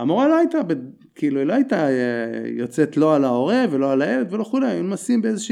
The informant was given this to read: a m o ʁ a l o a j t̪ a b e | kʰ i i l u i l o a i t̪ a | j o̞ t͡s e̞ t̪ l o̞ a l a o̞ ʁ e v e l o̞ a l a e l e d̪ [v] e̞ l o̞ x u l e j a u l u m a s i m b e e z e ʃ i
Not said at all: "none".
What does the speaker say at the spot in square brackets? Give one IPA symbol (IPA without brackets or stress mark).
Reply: v